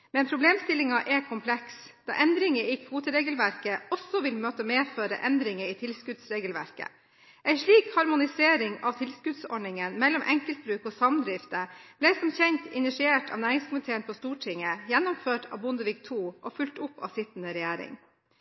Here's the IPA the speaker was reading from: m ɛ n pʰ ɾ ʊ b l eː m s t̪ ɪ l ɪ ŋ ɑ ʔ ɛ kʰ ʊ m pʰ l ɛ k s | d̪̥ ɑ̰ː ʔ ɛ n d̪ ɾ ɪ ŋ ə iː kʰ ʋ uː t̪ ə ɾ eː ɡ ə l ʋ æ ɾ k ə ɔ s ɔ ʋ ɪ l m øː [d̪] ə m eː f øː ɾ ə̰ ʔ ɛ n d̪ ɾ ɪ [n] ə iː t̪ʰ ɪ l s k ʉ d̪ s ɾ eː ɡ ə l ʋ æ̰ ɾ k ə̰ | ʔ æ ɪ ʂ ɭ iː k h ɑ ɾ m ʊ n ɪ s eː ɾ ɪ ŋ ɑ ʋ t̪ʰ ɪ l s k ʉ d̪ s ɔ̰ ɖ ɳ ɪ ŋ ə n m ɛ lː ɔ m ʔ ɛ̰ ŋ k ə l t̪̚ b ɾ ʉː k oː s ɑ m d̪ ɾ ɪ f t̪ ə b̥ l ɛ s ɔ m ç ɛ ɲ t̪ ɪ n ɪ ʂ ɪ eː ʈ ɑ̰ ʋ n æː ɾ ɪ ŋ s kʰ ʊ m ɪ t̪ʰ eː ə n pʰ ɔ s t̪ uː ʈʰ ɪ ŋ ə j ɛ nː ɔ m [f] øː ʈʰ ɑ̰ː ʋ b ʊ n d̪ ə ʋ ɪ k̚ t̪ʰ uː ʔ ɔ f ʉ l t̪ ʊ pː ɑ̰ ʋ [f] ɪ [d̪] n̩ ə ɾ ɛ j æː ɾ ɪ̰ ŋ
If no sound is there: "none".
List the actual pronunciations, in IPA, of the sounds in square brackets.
t̪, ŋ, f, s, t̪

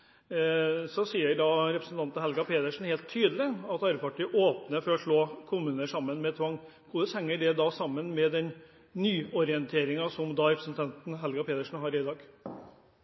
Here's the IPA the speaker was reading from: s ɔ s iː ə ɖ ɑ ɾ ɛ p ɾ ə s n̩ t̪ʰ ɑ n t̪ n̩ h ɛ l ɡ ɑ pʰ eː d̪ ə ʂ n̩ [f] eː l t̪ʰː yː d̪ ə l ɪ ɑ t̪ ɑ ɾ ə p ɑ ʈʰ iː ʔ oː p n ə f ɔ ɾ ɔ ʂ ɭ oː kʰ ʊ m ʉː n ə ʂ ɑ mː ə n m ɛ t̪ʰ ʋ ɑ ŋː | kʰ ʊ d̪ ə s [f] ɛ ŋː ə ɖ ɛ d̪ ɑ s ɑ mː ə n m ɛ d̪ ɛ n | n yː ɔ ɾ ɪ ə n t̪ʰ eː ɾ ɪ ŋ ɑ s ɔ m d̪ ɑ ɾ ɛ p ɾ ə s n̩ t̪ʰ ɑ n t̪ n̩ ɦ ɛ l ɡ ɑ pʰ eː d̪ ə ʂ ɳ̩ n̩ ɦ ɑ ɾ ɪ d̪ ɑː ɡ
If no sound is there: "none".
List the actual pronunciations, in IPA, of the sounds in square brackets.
h, h

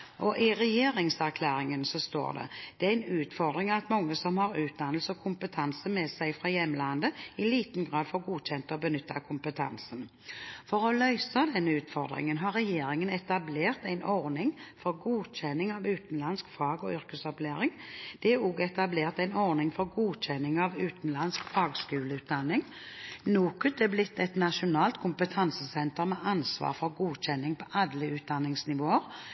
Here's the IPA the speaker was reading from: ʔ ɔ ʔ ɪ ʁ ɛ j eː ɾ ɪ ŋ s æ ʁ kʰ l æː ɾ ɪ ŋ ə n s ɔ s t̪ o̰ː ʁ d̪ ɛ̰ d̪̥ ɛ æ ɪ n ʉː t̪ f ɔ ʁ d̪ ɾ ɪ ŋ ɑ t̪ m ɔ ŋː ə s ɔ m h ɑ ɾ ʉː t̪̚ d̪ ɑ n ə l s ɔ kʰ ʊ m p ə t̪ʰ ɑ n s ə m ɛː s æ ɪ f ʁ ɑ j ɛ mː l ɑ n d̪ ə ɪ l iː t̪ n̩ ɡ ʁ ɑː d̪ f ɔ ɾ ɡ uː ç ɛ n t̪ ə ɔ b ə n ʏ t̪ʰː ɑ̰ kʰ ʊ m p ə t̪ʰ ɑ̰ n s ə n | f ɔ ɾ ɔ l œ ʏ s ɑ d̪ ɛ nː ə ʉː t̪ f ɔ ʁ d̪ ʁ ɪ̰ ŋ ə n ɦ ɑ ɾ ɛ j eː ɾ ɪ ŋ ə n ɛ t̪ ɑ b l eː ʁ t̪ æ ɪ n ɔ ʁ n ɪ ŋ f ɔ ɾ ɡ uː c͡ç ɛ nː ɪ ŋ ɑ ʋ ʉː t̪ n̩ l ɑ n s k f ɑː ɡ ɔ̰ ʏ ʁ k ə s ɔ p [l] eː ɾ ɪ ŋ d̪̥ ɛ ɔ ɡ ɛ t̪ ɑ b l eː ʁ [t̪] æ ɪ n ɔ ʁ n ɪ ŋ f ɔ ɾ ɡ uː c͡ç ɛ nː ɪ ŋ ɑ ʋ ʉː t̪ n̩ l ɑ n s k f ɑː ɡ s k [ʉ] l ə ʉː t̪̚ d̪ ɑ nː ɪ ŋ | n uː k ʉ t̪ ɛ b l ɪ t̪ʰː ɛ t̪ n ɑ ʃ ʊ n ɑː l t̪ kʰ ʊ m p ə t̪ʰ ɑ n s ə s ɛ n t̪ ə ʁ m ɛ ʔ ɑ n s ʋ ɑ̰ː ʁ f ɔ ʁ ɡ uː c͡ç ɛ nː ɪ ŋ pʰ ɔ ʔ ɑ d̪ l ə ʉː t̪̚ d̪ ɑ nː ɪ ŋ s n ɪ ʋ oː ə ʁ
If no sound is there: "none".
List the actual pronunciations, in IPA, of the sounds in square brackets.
l, t̪, ʉː

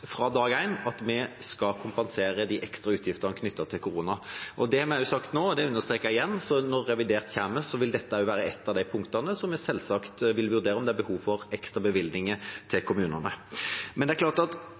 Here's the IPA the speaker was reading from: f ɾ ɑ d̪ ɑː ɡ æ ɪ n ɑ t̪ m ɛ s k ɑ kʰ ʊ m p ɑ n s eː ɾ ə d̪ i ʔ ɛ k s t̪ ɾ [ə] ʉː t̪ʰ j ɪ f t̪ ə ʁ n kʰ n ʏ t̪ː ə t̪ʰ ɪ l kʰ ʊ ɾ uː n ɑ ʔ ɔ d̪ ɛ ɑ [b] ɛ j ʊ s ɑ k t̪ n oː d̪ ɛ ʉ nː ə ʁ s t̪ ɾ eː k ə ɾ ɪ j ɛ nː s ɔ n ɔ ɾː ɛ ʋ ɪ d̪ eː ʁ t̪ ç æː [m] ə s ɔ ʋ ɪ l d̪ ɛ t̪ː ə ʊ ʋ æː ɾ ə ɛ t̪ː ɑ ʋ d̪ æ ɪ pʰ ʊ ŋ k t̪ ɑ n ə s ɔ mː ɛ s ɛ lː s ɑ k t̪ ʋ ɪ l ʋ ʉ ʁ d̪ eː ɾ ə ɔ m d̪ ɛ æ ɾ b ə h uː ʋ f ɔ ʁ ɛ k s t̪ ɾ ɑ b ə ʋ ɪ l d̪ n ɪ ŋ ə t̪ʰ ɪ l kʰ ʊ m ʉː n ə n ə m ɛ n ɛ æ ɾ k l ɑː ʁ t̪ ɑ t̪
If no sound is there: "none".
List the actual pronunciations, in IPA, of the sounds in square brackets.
ɑ, m, m

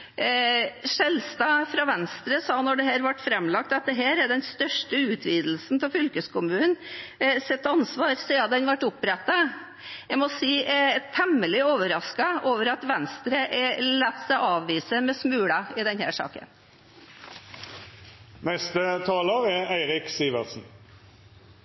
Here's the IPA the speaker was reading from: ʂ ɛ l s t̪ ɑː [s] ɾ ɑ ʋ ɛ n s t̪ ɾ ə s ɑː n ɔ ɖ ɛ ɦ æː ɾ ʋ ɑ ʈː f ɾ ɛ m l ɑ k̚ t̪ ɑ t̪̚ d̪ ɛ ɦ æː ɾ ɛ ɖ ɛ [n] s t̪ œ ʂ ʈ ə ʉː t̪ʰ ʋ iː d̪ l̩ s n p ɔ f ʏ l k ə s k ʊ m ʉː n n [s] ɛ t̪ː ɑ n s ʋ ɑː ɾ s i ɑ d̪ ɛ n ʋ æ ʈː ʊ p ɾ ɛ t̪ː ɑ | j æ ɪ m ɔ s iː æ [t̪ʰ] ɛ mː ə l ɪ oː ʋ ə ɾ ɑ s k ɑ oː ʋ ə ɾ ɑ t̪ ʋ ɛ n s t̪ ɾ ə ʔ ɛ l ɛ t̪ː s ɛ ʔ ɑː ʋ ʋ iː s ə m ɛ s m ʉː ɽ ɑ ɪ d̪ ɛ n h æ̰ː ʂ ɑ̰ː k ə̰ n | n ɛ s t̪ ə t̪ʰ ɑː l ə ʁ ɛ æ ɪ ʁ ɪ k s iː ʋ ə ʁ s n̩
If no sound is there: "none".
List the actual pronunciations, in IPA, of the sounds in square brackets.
f, n, s, t̪ʰ

